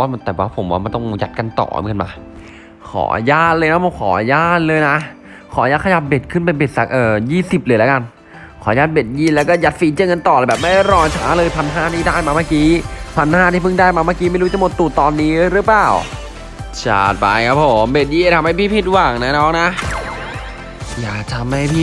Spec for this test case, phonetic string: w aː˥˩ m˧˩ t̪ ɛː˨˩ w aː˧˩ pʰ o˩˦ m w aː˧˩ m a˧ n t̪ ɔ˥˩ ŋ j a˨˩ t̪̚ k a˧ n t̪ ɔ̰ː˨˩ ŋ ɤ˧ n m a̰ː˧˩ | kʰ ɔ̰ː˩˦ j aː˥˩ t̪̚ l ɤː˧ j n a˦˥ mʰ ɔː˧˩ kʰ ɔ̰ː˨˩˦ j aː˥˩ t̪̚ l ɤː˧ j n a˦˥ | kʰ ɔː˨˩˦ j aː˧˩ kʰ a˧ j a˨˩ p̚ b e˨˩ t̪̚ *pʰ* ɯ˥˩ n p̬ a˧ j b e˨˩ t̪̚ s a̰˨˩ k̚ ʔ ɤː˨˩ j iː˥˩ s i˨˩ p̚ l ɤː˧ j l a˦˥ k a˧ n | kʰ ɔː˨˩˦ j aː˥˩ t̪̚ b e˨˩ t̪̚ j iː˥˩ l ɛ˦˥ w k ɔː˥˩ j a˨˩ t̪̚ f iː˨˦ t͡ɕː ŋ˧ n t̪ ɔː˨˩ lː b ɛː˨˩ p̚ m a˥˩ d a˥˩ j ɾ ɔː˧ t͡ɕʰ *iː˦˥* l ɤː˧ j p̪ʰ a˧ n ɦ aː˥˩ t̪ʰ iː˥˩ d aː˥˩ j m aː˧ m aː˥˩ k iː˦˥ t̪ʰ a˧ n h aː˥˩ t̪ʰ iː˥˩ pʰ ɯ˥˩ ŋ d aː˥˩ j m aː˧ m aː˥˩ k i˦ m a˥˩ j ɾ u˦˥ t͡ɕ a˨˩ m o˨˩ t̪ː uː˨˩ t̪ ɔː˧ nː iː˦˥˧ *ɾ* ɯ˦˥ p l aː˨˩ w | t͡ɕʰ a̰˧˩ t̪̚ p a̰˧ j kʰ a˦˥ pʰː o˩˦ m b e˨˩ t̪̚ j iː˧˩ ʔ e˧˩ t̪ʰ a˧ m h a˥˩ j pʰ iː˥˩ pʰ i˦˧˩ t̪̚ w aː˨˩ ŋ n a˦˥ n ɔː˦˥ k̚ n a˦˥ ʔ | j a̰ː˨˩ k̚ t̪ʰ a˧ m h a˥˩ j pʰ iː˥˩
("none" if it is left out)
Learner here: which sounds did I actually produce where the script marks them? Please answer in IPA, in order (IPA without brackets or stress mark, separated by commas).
kʰ, aː˦˥, ɾ